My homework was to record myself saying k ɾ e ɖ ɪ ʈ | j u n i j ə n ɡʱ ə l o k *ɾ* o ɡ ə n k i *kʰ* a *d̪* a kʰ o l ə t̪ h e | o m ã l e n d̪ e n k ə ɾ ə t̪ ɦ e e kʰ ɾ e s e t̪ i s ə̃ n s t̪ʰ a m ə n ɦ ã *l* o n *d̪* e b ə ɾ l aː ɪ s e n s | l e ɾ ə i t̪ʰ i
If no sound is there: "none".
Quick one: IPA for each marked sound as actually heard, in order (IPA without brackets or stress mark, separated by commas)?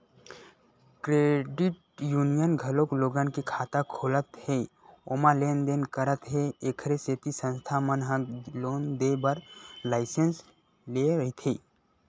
l, kʰ, t̪, l, d̪